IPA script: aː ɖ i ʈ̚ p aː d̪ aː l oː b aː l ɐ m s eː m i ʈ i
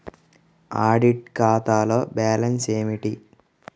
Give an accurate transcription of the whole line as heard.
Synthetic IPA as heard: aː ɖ i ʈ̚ k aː t̪ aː l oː b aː l ɐ n s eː m i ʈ i

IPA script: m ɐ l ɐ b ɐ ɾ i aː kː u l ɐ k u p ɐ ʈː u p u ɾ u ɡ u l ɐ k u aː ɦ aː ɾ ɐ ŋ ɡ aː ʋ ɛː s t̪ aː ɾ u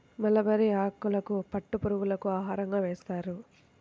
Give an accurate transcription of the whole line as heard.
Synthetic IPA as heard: m ɐ l ɐ b ɐ ɾ i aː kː u l ɐ k u p ɐ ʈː u p u ɾ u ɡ u l ɐ k u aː ɦ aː ɾ ɐ ŋ ɡ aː ʋ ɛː s t̪ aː ɾ u

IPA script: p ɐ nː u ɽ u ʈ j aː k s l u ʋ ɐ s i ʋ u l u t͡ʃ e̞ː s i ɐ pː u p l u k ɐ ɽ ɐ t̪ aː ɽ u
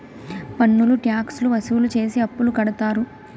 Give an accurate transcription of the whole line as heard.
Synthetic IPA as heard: p ɐ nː u l u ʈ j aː k s l u ʋ ɐ s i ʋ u l u t͡ʃ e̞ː s i ɐ pː u l u k ɐ ɽ ɐ t̪ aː ɾ u

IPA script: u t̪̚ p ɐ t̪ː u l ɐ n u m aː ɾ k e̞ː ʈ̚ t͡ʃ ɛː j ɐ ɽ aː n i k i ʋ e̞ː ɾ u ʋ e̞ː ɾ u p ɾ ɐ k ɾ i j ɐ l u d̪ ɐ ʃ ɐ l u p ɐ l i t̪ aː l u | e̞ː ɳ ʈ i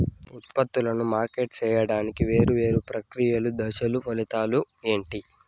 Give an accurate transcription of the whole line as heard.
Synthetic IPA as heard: u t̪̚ p ɐ t̪ː u l ɐ n u m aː ɾ k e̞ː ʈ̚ t͡ʃ ɛː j ɐ ɽ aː n i k i ʋ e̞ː ɾ u ʋ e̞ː ɾ u p ɾ ɐ k ɾ i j ɐ l u d̪ ɐ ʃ ɐ l u p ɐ l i t̪ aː l u | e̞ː ɳ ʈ i

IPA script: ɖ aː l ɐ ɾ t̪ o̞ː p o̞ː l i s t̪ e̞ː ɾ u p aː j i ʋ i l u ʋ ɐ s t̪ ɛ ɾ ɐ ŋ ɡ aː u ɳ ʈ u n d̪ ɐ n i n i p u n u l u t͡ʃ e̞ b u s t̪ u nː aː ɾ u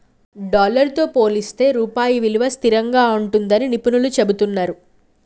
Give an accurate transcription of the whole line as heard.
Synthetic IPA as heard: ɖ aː l ɐ ɾ t̪ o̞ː p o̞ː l i s t̪ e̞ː ɾ uː p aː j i ʋ i l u ʋ ɐ s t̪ i ɾ ɐ ŋ ɡ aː u ɳ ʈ u n d̪ ɐ n i n i p u n u l u t͡ʃ e̞ b u t̪ u nː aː ɾ u

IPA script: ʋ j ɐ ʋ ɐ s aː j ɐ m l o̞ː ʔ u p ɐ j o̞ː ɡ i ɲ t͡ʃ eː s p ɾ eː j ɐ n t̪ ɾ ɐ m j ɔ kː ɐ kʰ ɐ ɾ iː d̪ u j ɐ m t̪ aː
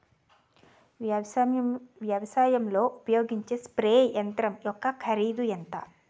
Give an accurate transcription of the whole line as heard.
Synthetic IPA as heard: ʋ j ɐ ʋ ɐ s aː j ɐ m l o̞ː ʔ u p ɐ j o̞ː ɡ i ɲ t͡ʃ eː s p ɾ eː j ɐ n t̪ ɾ ɐ m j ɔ kː ɐ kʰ ɐ ɾ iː d̪ u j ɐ n t̪ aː

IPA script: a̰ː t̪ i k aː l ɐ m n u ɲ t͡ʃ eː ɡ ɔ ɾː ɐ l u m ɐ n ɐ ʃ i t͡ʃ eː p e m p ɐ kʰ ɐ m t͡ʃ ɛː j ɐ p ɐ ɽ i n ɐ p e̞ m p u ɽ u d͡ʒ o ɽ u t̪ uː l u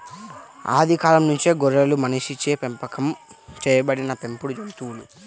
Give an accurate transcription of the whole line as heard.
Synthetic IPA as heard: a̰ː d̪ i k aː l ɐ m n u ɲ t͡ʃ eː ɡ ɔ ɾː ɐ l u m ɐ n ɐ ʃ i t͡ʃ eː p e m p ɐ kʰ ɐ m t͡ʃ ɛː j ɐ b ɐ ɽ i n ɐ p e̞ m p u ɽ u d͡ʒ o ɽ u t̪ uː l u

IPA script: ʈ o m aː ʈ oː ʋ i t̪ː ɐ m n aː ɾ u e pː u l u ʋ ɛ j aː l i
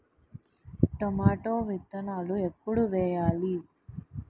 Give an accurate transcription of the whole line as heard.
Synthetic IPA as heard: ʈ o m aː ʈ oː ʋ i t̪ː ɐ n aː l u e pː u ɽ u ʋ ɛː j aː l i

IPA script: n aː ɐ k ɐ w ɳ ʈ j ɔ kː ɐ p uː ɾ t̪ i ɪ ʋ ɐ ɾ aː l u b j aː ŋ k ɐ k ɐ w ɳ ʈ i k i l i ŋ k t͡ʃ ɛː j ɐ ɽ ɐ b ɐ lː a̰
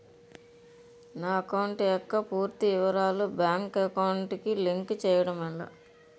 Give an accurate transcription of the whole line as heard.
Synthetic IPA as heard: n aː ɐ k ɐ w ɳ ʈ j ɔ kː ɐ p uː ɾ t̪ i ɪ ʋ ɐ ɾ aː l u b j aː ŋ k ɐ k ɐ w ɳ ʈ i k i l i ŋ k t͡ʃ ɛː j ɐ ɽ ɐ m ɐ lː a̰

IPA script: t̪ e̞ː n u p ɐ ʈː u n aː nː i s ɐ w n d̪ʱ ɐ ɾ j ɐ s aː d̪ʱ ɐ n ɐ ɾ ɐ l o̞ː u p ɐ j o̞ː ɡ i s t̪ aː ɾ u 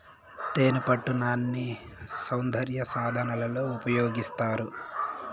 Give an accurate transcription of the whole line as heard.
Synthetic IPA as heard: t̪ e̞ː n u p ɐ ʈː u n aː nː i s ɐ w n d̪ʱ ɐ ɾ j ɐ s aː d̪ʱ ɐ n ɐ l ɐ l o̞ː u p ɐ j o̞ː ɡ i s t̪ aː ɾ u

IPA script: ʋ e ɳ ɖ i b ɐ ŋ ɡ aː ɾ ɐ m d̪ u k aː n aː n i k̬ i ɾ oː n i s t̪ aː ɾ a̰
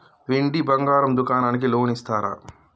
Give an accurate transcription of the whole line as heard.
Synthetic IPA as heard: ʋ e ɳ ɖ i b ɐ ŋ ɡ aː ɾ ɐ m d̪ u k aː n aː n i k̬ i l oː n i s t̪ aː ɾ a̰

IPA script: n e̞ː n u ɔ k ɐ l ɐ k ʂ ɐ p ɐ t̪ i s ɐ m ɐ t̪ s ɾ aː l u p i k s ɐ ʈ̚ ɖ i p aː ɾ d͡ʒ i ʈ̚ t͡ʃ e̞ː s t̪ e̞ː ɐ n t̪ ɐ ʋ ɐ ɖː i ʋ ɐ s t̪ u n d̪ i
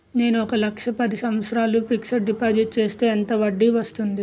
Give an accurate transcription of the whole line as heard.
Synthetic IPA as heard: n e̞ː n u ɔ k ɐ l ɐ k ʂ ɐ p ɐ d̪ i s ɐ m ɐ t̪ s ɾ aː l u p i k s ɐ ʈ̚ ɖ i p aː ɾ d͡ʒ i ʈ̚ t͡ʃ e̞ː s t̪ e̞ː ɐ n t̪ ɐ ʋ ɐ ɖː i ʋ ɐ s t̪ u n d̪ i

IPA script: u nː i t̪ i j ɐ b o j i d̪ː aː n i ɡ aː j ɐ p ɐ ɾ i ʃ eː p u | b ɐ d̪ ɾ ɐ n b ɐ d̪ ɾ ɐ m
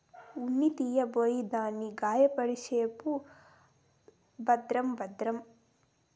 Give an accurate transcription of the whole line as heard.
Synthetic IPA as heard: u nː i t̪ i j ɐ b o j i d̪ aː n i ɡ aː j ɐ p ɐ ɾ i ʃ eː p u | b ɐ d̪ ɾ ɐ m b ɐ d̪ ɾ ɐ m

